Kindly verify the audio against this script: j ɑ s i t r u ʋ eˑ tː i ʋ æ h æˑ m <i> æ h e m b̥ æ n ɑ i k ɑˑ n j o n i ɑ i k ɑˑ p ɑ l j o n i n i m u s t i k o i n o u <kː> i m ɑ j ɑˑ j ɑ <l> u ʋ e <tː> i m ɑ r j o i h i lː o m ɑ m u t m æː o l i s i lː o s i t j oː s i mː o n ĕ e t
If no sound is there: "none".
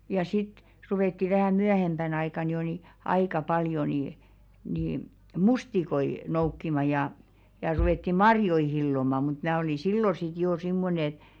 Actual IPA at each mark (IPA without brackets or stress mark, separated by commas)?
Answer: y, kː, r, tː